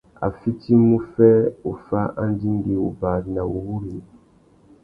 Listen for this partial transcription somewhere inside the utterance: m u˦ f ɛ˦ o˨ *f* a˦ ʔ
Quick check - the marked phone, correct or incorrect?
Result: correct